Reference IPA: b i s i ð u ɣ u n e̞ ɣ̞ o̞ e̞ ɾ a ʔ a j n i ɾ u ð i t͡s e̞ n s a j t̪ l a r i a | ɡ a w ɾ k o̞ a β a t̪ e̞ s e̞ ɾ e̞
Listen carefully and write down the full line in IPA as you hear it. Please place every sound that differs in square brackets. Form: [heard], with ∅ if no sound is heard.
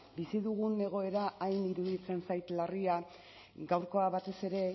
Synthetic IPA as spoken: b i s i ð u ɣ u n e̞ ɣ̞ o̞ e̞ ɾ a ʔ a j n i ɾ u ð i t͡s e̞ n s a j t̪ l a r i a | ɡ a w ɾ k o̞ a β a t̪ e̞ s e̞ ɾ e̞